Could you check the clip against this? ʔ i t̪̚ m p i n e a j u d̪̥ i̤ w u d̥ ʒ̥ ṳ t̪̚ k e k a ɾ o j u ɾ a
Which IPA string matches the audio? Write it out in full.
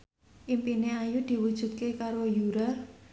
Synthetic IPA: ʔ i m p i n e a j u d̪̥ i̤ w u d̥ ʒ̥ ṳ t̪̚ k e k a ɾ o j u ɾ a